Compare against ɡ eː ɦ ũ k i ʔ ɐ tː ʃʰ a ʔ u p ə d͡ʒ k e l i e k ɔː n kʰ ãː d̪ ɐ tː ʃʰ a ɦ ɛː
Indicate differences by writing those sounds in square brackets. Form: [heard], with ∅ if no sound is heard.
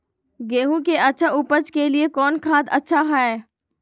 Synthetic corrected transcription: ɡ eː ɦ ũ k [e] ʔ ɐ tː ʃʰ a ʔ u p ə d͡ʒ k e l i e k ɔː n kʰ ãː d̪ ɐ tː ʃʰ a ɦ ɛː

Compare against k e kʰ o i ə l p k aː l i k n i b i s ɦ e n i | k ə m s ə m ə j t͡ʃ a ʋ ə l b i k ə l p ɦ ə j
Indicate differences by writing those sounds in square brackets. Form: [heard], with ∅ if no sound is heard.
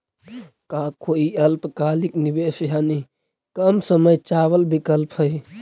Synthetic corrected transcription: k [a] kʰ o i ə l p k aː l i k n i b [e] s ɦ [a] n i | k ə m s ə m ə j t͡ʃ a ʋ ə l b i k ə l p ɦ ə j

